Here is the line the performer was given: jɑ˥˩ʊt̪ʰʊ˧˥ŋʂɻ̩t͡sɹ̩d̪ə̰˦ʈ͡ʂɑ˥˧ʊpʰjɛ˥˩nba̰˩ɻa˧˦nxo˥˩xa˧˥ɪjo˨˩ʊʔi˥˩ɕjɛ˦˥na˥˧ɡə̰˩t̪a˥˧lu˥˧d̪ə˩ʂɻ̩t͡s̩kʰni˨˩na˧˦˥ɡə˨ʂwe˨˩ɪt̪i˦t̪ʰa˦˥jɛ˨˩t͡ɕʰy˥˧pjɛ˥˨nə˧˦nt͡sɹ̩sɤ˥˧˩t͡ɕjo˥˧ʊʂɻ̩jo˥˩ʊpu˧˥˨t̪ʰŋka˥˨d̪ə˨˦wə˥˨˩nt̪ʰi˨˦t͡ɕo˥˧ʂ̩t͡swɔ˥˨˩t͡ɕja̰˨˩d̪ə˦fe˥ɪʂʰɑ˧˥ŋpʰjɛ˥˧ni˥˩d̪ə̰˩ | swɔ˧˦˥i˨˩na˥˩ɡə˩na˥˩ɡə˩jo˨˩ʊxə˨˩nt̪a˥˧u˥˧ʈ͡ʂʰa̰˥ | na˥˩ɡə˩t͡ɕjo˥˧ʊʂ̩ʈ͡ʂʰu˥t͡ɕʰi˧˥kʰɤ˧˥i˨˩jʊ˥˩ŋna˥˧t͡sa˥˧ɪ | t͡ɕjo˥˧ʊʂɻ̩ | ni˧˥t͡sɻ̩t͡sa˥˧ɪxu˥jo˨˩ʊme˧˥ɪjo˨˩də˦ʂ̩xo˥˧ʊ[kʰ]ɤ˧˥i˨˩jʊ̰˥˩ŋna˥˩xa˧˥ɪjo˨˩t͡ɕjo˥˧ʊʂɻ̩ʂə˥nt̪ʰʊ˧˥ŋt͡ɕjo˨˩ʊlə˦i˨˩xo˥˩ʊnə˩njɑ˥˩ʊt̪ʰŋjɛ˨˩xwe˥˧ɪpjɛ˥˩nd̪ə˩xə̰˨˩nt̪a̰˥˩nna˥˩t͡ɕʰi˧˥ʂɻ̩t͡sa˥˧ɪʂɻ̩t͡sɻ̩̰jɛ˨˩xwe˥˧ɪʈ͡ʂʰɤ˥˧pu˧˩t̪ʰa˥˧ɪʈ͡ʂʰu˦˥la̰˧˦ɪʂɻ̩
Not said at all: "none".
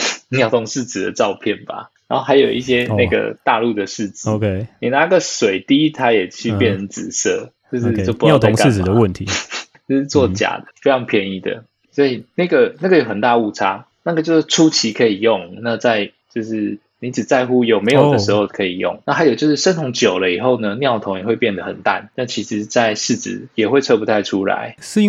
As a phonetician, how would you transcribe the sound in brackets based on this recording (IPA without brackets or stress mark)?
kʰ